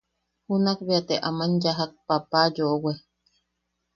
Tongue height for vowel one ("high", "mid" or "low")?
high